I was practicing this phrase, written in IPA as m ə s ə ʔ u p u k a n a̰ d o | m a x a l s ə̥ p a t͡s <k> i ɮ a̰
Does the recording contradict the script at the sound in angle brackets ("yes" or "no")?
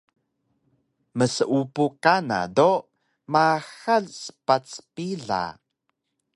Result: yes